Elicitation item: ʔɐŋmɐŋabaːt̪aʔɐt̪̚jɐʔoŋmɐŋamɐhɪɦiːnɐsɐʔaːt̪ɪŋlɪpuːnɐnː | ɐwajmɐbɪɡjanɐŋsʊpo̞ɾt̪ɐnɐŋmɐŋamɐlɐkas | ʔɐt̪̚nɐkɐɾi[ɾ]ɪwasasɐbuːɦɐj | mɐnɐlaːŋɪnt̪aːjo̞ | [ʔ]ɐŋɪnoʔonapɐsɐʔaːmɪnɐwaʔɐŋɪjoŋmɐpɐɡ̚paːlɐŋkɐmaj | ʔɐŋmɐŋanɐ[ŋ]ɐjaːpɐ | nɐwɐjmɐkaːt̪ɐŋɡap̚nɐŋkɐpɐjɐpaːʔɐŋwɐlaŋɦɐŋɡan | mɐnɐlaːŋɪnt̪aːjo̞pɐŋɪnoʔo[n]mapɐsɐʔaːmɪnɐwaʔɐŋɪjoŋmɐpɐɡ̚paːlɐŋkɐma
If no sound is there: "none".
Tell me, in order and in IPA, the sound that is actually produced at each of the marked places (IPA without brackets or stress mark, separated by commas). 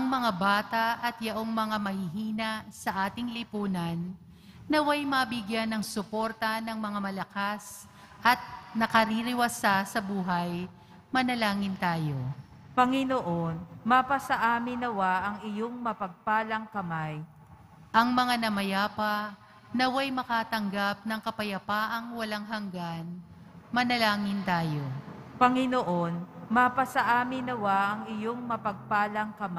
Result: ɾ, p, m, n